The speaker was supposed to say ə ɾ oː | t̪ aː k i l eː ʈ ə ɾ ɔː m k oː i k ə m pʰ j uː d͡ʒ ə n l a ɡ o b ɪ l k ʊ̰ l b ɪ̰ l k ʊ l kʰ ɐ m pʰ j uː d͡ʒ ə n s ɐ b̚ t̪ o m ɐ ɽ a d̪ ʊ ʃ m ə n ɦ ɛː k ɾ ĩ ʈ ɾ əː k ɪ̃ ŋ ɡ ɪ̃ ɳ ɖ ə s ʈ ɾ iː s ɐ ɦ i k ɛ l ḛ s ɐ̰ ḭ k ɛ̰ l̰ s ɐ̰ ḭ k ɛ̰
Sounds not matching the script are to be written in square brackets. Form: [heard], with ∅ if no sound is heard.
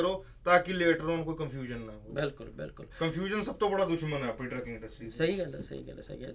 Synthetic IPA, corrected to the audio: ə ɾ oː | t̪ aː k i l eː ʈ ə ɾ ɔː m k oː i k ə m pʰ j uː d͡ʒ ə n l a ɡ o b ɪ l k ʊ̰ l b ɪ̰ l k ʊ l [k] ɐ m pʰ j uː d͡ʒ ə n s ɐ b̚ t̪ o [b] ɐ ɽ a d̪ ʊ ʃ m ə n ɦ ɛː [p] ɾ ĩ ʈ ɾ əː k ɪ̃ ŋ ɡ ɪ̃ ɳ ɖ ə s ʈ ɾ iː s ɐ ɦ i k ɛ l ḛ s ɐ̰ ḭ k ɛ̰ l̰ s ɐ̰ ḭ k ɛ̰